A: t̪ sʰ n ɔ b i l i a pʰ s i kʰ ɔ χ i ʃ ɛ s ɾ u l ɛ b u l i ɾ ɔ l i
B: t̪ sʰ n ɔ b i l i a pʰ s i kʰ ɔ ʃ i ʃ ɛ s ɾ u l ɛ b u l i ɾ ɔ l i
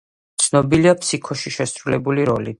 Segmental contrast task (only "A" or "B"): B